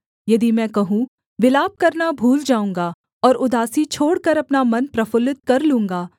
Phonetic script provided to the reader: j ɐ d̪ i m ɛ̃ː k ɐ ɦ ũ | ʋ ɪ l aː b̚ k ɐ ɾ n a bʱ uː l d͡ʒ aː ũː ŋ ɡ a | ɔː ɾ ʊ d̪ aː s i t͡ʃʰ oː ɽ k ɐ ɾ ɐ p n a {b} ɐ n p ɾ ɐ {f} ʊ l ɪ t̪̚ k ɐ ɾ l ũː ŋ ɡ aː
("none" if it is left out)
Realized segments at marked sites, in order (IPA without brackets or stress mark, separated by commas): m, f